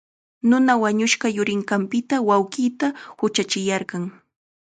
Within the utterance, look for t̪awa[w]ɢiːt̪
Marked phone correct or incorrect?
correct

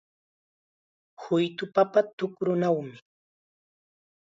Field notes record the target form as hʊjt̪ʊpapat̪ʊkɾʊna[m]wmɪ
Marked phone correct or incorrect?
incorrect: none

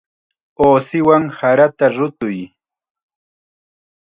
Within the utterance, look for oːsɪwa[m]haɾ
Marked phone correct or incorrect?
incorrect: ŋ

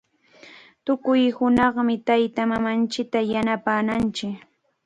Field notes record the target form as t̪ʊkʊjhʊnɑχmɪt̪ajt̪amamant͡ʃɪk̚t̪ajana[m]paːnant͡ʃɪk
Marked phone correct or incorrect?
incorrect: none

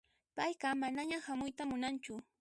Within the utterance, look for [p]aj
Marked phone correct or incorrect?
correct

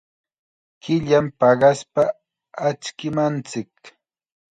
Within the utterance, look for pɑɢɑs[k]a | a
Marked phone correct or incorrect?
incorrect: p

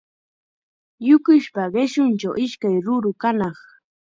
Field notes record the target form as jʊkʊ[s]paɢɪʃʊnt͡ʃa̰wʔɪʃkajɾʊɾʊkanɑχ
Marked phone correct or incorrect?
incorrect: ʃ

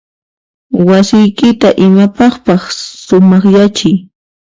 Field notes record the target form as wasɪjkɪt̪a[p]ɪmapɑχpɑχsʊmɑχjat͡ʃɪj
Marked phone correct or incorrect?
incorrect: ʔ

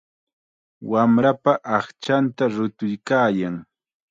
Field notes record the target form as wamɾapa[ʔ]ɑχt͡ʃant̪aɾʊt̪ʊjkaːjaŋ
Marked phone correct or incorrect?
correct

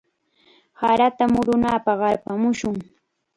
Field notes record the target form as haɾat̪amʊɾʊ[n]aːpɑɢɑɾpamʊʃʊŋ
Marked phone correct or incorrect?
correct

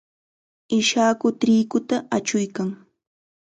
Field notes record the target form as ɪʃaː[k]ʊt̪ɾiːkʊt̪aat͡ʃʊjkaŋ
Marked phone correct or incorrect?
correct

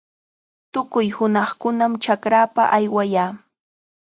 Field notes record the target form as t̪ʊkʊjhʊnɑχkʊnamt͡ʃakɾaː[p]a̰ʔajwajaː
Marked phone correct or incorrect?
correct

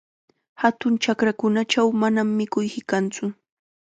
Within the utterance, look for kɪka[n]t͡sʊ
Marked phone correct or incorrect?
correct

